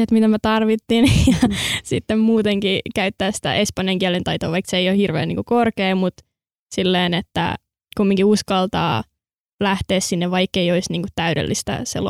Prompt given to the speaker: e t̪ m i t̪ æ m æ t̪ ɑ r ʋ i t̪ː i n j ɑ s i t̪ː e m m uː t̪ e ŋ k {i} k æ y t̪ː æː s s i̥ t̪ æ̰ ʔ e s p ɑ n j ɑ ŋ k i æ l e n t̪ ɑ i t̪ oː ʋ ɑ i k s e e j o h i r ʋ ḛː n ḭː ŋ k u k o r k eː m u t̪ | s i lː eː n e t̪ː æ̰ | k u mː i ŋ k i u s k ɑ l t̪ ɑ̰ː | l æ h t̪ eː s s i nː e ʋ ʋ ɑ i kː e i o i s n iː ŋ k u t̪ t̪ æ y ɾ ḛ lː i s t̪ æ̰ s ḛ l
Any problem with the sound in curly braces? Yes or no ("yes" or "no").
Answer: no